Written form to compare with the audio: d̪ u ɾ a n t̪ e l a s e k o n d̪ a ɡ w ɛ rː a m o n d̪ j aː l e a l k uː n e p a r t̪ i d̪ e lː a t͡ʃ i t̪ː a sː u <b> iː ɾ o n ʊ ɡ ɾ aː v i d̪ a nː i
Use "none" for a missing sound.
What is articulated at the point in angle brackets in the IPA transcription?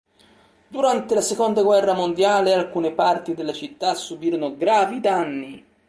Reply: b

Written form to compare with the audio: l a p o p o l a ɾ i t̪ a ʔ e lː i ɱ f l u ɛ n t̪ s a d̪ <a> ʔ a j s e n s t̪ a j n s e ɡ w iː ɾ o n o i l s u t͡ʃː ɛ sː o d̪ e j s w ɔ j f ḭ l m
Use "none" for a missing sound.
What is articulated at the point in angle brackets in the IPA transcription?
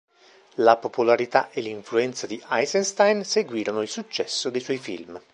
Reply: i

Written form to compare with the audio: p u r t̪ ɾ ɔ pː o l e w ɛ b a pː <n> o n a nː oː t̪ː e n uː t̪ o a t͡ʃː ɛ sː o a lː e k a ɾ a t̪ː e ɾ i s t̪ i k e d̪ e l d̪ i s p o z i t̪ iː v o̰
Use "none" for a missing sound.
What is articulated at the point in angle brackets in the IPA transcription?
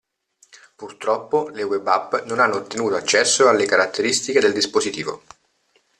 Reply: n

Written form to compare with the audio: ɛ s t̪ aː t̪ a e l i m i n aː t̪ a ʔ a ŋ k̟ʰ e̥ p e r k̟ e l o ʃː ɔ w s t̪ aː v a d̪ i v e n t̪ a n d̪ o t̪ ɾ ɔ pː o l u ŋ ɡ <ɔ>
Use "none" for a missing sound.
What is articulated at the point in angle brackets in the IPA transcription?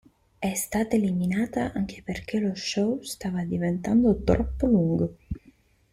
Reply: o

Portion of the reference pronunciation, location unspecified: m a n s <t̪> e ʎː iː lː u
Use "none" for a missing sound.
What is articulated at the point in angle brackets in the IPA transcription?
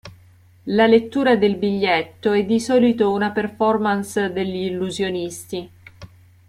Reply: d̪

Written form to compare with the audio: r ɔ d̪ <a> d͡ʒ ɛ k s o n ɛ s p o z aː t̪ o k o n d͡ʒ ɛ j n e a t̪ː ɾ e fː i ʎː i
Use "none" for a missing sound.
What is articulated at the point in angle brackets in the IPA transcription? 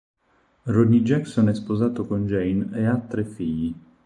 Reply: i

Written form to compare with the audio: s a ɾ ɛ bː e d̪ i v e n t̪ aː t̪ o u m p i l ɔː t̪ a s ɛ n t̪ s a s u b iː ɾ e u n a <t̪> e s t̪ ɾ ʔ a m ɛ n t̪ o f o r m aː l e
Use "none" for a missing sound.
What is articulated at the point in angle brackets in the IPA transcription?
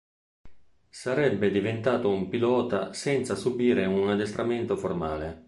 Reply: d̪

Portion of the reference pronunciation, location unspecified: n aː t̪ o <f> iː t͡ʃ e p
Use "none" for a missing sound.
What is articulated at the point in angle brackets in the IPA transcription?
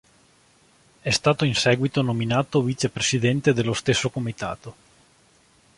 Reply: v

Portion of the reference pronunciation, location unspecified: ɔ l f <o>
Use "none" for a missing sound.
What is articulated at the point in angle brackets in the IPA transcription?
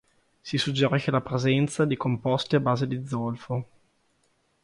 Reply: o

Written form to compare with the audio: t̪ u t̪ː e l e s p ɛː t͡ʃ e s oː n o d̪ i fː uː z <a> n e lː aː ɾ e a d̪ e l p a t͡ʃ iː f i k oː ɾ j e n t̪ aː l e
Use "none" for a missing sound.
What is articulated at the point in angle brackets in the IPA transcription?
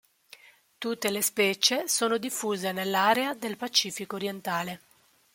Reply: e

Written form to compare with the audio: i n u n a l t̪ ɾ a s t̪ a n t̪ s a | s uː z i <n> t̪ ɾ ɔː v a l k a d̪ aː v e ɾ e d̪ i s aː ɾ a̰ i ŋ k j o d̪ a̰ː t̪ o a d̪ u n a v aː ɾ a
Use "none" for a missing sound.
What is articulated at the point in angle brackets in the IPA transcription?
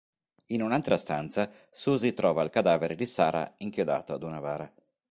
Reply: none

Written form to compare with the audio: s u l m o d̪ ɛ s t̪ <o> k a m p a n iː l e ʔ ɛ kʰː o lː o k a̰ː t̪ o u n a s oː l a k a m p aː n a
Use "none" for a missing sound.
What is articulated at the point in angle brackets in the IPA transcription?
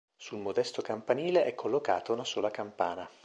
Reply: o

